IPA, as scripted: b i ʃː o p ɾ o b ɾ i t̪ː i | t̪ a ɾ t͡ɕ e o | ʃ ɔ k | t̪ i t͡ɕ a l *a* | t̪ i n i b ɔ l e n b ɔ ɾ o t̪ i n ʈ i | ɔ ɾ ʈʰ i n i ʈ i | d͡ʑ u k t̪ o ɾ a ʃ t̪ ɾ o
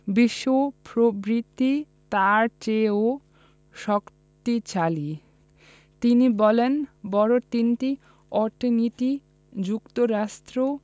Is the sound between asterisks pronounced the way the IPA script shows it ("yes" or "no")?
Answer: no